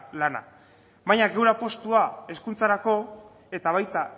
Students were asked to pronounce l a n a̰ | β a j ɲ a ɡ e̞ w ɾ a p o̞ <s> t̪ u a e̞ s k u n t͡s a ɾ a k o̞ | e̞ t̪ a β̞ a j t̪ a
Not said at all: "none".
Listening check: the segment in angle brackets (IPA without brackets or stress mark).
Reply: s